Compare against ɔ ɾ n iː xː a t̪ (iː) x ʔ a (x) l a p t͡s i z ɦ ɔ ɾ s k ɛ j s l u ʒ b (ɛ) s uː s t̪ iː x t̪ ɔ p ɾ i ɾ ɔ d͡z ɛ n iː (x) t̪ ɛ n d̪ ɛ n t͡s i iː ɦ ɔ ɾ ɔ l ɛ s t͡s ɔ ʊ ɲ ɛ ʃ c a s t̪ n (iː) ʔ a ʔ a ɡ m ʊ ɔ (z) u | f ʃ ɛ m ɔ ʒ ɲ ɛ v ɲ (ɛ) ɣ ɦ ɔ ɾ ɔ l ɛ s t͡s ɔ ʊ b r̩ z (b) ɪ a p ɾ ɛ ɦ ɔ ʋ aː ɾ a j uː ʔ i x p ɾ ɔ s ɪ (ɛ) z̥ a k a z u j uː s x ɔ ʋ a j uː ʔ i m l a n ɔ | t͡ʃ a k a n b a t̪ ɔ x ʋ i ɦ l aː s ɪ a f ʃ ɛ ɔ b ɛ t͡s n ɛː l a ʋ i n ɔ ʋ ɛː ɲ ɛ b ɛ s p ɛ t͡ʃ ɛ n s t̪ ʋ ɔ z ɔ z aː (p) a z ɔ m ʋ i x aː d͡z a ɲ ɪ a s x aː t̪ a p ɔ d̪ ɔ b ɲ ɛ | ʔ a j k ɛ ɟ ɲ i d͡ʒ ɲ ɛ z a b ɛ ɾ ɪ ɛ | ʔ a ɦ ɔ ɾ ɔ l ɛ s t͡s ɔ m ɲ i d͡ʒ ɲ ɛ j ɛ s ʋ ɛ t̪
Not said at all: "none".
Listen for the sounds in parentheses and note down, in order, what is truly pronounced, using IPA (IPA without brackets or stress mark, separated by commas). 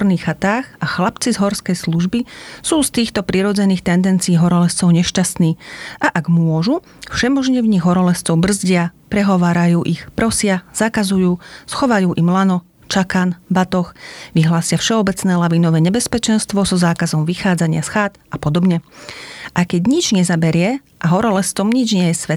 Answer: aː, x, i, x, iː, ʒ, i, ɟ, a, k